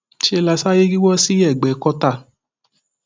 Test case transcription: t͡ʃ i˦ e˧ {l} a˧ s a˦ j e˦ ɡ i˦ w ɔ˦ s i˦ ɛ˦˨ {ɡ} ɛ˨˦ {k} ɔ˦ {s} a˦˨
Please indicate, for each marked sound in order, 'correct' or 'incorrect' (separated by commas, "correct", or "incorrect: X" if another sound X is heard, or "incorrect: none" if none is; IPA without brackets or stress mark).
correct, incorrect: ɡ͡b, correct, incorrect: t